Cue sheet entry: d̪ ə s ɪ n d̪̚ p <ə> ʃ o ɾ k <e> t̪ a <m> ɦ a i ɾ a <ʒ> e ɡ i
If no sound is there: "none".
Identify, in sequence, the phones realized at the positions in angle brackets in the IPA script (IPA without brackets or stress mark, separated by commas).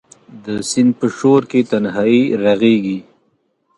ə, e, n, ɣ